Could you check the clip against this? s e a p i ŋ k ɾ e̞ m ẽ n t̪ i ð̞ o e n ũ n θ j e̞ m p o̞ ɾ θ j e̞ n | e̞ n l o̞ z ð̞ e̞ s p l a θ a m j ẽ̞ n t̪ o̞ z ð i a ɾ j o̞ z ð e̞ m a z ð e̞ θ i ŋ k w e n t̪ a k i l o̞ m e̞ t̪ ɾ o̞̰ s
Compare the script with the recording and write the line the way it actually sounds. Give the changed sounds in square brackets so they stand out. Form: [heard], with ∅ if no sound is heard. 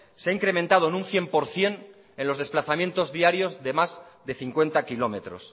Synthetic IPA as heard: s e a [∅] i ŋ k ɾ e̞ m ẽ n t̪ [a] ð̞ o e n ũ n θ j e̞ m p o̞ ɾ θ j e̞ n | e̞ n l o̞ z ð̞ e̞ s p l a θ a m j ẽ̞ n t̪ o̞ z ð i a ɾ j o̞ z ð e̞ m a z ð e̞ θ i ŋ k w e n t̪ a k i l o̞ m e̞ t̪ ɾ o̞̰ s

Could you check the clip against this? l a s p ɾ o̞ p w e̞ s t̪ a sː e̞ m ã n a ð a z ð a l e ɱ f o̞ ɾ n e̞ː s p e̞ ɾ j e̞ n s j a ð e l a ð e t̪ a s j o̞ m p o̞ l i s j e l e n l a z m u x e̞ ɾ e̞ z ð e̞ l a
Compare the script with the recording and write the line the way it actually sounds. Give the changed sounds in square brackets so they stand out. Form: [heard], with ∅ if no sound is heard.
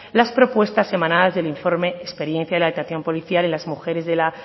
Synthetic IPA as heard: l a s p ɾ o̞ p w e̞ s t̪ a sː e̞ m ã n a ð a z ð [e] l [i] ɱ f o̞ ɾ [m] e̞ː s p e̞ ɾ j e̞ n [θ] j a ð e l a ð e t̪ a [θ] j o̞ m p o̞ l i [θ] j [a] l e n l a z m u x e̞ ɾ e̞ z ð e̞ l a

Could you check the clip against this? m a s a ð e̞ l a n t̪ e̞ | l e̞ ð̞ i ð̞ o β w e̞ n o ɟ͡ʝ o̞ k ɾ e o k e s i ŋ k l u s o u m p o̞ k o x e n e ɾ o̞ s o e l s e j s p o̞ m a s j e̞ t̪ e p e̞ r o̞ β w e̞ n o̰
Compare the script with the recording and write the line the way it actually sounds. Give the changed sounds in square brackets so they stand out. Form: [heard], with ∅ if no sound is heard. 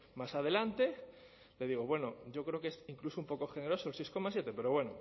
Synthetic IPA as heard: m a s a ð e̞ l a n t̪ e̞ | l e̞ ð̞ i [ɣ̞] o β w e̞ n o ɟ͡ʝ o̞ k ɾ e o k e s i ŋ k l u s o u m p o̞ k o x e n e ɾ o̞ s o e l s e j s [k] o̞ m a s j e̞ t̪ e p e̞ [ɾ] o̞ β w e̞ n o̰

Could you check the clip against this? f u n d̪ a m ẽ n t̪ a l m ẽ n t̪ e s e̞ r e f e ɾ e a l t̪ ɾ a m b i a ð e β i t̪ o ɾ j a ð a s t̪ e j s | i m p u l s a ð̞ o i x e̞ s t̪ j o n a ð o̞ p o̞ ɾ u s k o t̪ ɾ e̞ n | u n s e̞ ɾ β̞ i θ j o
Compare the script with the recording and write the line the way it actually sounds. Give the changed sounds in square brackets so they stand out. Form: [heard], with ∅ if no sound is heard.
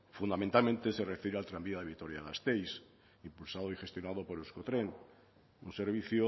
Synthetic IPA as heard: f u n d̪ a m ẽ n t̪ a l m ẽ n t̪ e s e̞ r e f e ɾ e a l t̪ ɾ a m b i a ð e β i t̪ o ɾ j a ð a s t̪ e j s | i m p u l s a ð̞ o i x e̞ s t̪ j o n a ð o̞ p o̞ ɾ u s k o t̪ ɾ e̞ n | u n s e̞ ɾ β̞ i θ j o

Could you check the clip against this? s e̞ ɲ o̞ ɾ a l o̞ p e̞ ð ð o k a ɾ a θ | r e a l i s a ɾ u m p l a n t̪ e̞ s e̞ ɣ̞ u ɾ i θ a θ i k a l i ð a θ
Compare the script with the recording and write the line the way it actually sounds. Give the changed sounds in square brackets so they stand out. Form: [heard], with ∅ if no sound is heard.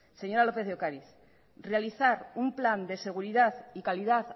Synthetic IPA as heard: s e̞ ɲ o̞ ɾ a l o̞ p e̞ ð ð o k a ɾ [i] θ | r e a l i [θ] a ɾ u m p l a n [d̪] e̞ s e̞ ɣ̞ u ɾ i [ð] a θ i k a l i ð a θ

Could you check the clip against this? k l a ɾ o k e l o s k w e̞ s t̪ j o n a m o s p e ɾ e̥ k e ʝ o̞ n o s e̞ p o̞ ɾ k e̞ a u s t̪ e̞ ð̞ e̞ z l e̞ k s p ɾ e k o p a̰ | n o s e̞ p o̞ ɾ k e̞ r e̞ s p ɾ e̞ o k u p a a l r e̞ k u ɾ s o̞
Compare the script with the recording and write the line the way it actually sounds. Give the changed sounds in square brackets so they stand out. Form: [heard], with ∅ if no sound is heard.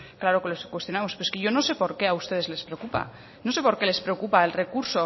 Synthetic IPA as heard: k l a ɾ o k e l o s k w e̞ s t̪ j o n a m o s p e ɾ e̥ k e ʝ o̞ n o s e̞ p o̞ ɾ k e̞ a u s t̪ e̞ ð̞ e̞ z l e̞ [∅] s p ɾ e k [u] p a̰ | n o s e̞ p o̞ ɾ k e̞ [l] e̞ s p ɾ e̞ o k u p a [e] l r e̞ k u ɾ s o̞

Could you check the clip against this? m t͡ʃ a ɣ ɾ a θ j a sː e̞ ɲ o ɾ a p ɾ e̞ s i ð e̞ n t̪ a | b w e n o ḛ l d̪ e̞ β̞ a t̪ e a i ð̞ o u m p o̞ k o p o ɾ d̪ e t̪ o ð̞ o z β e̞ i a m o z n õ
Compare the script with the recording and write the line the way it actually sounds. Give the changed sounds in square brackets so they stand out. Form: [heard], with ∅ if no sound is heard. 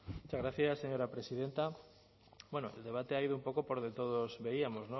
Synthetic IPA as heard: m t͡ʃ a ɣ ɾ a θ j a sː e̞ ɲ o ɾ a p ɾ e̞ s i ð e̞ n t̪ a | b w e n o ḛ l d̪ e̞ β̞ a t̪ e a i ð̞ o u m p o̞ k o p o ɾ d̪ e t̪ o ð̞ o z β e̞ i a m o z n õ

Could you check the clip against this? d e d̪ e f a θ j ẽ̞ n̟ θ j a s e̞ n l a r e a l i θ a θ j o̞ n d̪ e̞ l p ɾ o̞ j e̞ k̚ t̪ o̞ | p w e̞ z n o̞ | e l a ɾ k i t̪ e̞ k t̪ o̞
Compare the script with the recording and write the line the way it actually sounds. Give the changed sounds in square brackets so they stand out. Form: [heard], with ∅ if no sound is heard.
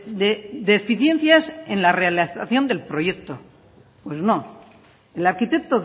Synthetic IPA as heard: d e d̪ e f [i] θ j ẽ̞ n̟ θ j a s e̞ n l a r e a l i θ a θ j o̞ n d̪ e̞ l p ɾ o̞ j e̞ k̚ t̪ o̞ | p w e̞ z n o̞ | e l a ɾ k i t̪ e̞ k t̪ o̞

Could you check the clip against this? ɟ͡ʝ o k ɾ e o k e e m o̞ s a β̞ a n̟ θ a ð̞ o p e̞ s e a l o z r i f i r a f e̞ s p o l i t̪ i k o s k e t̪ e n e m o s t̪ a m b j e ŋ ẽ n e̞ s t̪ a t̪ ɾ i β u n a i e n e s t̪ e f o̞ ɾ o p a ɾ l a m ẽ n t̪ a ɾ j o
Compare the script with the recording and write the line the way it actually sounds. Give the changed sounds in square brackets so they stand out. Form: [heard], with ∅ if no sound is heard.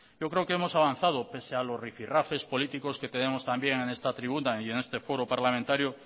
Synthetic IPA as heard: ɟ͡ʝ o k ɾ e o k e e m o̞ s a β̞ a n̟ θ a ð̞ o p e̞ s e a l o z r i f i r a f e̞ s p o l i t̪ i k o s k e t̪ e n e m o s t̪ a m b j e ŋ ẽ n e̞ s t̪ a t̪ ɾ i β u n a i e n e s t̪ e f o̞ ɾ o p a ɾ l a m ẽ n t̪ a ɾ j o

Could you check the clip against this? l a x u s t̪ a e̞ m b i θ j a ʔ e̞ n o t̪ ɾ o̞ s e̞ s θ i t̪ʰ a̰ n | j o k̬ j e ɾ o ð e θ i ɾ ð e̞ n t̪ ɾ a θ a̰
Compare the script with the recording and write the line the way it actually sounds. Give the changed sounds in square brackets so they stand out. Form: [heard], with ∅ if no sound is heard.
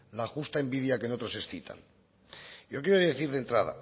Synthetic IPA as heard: l a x u s t̪ a e̞ m b i [ð] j a [k] e̞ n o t̪ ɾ o̞ s e̞ s θ i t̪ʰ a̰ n | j o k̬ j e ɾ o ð e θ i ɾ ð e̞ n t̪ ɾ a [ð] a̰

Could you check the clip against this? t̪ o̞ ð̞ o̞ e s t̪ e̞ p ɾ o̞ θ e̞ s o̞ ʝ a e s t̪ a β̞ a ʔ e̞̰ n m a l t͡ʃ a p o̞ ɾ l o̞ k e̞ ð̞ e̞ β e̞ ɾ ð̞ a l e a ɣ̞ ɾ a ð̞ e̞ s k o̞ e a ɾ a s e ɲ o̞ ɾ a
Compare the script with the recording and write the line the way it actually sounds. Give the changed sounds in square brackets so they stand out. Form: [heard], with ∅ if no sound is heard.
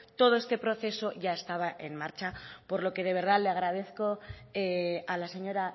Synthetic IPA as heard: t̪ o̞ ð̞ o̞ e s t̪ e̞ p ɾ o̞ θ e̞ s o̞ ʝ a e s t̪ a β̞ a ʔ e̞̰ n m a [ɾ] t͡ʃ a p o̞ ɾ l o̞ k e̞ ð̞ e̞ β e̞ ɾ ð̞ a l e a ɣ̞ ɾ a ð̞ e̞ [θ] k o̞ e a [l] a s e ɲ o̞ ɾ a

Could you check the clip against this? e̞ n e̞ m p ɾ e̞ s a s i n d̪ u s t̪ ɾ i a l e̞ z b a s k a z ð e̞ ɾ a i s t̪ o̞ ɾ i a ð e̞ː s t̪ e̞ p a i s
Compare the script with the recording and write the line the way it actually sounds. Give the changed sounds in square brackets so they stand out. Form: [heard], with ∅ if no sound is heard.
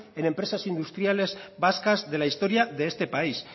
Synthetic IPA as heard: e̞ n e̞ m p ɾ e̞ s a s i n d̪ u s t̪ ɾ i a l e̞ z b a s k a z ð e̞ [l] a i s t̪ o̞ ɾ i a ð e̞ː s t̪ e̞ p a i s

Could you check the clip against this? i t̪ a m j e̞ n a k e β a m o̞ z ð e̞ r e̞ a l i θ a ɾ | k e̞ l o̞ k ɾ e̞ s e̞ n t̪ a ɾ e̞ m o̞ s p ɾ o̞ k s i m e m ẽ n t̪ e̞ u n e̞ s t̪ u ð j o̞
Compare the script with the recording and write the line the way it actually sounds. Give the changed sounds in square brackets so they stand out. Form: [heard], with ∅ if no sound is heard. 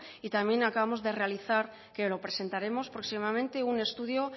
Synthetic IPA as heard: i t̪ a m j e̞ n a k [a] β a m o̞ z ð e̞ r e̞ a l i θ a ɾ | k e̞ l o̞ [p] ɾ e̞ s e̞ n t̪ a ɾ e̞ m o̞ s p ɾ o̞ k s i m [a] m ẽ n t̪ e̞ u n e̞ s t̪ u ð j o̞

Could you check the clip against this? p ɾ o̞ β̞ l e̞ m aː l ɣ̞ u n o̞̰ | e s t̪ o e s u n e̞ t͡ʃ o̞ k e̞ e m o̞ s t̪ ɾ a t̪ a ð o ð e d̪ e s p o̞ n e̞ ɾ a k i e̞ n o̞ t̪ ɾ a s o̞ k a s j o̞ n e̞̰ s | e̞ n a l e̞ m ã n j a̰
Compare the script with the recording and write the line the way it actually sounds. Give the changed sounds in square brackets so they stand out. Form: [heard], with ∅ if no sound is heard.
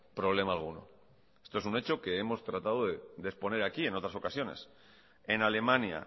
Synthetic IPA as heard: p ɾ o̞ β̞ l e̞ m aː l ɣ̞ u n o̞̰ | e s t̪ o e s u n e̞ t͡ʃ o̞ k e̞ e m o̞ s t̪ ɾ a t̪ a ð o ð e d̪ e s p o̞ n e̞ ɾ a k i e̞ n o̞ t̪ ɾ a s o̞ k a s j o̞ n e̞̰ s | e̞ n a l e̞ m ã n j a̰

